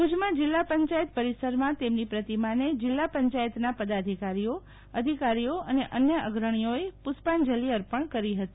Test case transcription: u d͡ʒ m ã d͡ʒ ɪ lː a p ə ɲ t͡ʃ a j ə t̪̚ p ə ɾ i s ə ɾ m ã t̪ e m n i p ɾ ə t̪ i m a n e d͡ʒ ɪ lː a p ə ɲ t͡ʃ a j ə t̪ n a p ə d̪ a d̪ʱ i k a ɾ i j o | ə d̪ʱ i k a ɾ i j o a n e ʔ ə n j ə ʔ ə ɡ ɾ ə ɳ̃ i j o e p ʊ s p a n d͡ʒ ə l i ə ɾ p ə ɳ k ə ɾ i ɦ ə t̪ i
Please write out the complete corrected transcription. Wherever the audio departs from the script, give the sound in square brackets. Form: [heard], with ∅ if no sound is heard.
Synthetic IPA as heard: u d͡ʒ m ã d͡ʒ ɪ lː a p ə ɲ t͡ʃ a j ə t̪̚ p ə ɾ i s ə ɾ m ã t̪ e m n i p ɾ ə t̪ i m a n e d͡ʒ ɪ lː a p ə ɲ t͡ʃ a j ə t̪ n a p ə d̪ a d̪ʱ i k a ɾ i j o | ə d̪ʱ i k a ɾ i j o [ə] n e ʔ ə n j ə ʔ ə ɡ ɾ ə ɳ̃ i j o e p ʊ s p a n d͡ʒ ə l i ə ɾ p ə ɳ k ə ɾ i ɦ ə t̪ i